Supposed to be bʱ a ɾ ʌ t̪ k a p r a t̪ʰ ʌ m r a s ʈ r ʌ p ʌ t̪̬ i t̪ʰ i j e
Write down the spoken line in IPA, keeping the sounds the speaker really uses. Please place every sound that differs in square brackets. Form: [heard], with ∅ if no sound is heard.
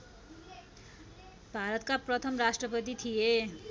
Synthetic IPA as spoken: bʱ a ɾ ʌ t̪ k a p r [ʌ] t̪ʰ ʌ m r a s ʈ r ʌ p ʌ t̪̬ i t̪ʰ i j e